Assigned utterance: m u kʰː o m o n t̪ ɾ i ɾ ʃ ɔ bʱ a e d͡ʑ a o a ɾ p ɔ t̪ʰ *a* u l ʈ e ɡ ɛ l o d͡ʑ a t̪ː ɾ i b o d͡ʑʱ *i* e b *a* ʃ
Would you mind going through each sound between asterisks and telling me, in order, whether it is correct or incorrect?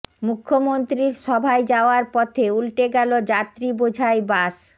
incorrect, incorrect, correct

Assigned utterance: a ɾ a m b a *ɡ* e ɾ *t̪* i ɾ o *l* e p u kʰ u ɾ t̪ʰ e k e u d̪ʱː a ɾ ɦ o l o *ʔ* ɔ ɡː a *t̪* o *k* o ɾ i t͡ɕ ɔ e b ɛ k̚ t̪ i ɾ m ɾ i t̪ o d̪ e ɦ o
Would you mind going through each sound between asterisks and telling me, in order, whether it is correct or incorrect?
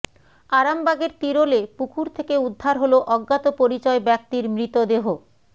correct, correct, correct, correct, correct, incorrect

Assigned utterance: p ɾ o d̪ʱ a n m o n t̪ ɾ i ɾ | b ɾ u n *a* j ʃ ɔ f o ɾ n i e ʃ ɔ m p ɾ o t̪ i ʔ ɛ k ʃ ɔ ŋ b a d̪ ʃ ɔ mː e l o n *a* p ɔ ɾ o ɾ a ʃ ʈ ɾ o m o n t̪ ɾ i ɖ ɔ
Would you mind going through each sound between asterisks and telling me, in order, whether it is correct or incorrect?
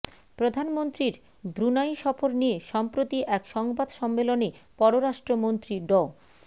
correct, incorrect

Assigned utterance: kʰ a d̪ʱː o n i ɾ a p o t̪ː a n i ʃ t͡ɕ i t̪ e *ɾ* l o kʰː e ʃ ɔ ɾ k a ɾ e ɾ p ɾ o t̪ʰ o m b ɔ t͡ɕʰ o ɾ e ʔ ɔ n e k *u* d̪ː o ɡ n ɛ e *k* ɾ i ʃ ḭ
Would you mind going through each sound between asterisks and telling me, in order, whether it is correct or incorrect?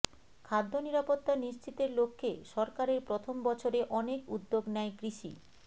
correct, correct, correct

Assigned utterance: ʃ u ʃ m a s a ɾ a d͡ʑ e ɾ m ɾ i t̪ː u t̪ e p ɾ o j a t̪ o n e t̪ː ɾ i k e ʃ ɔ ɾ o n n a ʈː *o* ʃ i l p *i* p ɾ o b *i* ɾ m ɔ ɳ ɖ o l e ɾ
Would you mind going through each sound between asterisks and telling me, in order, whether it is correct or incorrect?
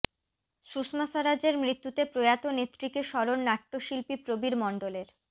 correct, correct, correct

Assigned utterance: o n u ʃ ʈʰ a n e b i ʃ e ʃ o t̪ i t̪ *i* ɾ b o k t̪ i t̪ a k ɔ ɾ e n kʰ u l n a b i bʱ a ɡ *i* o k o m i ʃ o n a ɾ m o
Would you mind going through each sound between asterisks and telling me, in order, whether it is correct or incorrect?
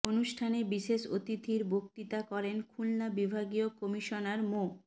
correct, correct

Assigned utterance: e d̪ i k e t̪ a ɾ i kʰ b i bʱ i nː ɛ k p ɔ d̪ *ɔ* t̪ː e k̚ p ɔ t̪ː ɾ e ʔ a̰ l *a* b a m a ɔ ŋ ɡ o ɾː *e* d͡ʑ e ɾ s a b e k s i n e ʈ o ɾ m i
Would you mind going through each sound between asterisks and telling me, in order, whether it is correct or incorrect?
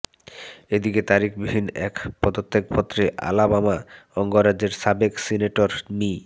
incorrect, correct, incorrect

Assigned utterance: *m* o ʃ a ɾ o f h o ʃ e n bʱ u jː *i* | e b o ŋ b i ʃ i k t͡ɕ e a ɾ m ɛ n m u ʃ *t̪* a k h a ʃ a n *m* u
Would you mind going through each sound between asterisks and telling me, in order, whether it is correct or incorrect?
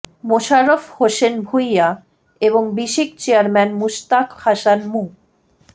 correct, incorrect, correct, correct

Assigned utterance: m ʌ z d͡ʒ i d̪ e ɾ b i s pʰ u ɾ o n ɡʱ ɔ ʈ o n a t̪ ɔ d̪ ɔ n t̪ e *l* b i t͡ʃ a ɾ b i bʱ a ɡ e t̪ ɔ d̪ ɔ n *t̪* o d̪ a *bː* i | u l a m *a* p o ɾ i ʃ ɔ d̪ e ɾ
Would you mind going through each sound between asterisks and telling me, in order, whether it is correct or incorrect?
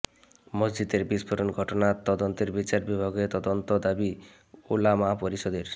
incorrect, correct, incorrect, correct

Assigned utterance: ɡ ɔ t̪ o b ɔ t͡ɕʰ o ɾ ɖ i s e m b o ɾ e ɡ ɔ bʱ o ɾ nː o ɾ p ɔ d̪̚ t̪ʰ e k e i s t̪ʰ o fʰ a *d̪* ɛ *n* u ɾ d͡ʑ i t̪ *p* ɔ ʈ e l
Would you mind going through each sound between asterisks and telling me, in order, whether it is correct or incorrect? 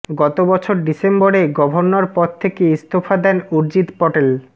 correct, correct, correct

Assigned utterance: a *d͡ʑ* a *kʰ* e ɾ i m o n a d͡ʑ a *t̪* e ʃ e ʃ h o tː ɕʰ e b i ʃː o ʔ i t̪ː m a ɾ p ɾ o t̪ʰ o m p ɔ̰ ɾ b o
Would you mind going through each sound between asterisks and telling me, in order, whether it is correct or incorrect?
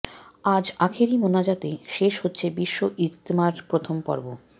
correct, correct, correct

